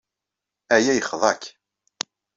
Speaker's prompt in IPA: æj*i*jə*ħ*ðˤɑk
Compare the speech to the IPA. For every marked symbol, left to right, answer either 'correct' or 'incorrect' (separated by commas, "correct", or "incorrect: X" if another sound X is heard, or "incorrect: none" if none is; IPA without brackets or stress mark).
incorrect: æ, incorrect: χ